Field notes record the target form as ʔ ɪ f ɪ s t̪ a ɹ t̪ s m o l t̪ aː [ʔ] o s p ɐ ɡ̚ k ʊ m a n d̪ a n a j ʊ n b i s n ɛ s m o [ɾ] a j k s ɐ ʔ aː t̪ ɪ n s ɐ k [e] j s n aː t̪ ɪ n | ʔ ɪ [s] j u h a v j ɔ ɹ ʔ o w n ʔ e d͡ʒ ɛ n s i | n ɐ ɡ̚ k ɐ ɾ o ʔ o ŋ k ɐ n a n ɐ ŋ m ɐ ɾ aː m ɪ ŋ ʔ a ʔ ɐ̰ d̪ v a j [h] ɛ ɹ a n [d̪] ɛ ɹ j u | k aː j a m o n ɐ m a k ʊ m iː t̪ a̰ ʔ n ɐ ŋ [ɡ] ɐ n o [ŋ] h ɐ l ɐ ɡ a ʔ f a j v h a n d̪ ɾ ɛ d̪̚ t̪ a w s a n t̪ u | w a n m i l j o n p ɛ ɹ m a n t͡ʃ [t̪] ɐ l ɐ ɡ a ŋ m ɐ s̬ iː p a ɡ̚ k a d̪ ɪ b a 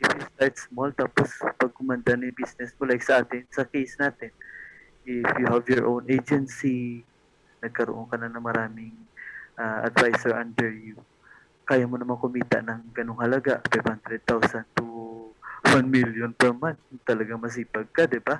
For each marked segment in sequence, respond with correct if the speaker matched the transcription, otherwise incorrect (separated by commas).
incorrect, incorrect, correct, incorrect, incorrect, correct, correct, correct, correct